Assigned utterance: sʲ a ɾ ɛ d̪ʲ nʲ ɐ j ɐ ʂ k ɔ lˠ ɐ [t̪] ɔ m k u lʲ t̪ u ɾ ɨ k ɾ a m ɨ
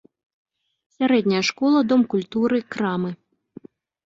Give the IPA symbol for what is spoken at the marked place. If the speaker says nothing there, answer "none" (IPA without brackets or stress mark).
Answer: d̪